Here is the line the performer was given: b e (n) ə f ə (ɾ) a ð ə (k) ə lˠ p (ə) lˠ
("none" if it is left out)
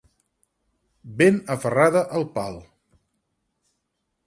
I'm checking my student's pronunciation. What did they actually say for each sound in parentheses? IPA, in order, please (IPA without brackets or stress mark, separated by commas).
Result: n, r, ʔ, a